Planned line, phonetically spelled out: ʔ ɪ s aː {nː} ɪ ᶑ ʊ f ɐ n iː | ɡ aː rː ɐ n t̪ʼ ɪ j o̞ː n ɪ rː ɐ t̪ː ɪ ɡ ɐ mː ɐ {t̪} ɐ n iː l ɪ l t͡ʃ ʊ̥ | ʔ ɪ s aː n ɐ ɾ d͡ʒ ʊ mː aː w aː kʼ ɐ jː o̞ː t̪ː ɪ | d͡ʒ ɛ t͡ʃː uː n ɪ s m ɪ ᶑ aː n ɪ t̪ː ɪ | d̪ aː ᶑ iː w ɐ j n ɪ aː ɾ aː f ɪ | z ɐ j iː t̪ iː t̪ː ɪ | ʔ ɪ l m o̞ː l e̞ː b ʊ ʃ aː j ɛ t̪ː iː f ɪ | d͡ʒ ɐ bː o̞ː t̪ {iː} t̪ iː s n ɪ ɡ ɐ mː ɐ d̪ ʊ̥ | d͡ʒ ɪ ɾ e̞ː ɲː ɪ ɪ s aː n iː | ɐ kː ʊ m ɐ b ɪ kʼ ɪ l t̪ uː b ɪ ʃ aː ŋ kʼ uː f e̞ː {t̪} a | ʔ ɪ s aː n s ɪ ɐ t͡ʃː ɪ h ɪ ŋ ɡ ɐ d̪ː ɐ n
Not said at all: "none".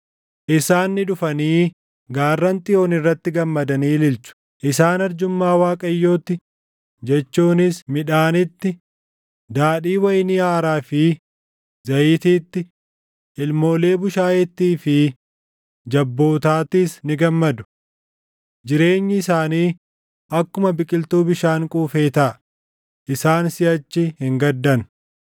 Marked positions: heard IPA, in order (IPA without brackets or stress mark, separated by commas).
nː, d̪, aː, t̪